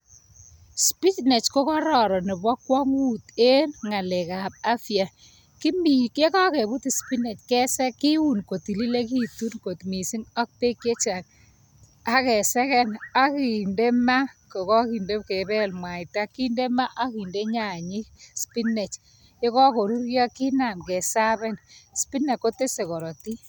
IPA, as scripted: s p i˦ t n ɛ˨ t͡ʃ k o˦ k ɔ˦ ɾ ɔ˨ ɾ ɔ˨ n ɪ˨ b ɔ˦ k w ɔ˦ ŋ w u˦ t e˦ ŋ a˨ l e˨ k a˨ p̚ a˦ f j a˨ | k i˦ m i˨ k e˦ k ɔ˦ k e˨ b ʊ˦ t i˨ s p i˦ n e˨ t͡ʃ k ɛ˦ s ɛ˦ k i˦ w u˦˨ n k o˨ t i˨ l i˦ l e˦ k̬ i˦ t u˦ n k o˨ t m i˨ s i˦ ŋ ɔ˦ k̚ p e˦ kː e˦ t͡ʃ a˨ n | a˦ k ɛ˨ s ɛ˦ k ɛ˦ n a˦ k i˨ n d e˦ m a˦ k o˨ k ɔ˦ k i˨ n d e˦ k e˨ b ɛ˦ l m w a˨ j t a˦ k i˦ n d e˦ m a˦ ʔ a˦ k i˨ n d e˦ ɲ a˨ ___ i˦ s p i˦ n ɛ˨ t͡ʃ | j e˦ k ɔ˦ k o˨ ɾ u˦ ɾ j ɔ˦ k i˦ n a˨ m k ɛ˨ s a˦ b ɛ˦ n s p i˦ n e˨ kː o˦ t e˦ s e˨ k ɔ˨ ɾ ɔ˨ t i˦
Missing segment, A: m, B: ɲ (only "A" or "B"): B